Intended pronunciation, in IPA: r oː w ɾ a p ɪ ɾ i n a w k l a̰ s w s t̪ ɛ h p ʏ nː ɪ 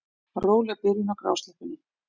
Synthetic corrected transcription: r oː w l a p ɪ ɾ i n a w k ɾ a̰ w s t̪ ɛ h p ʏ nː ɪ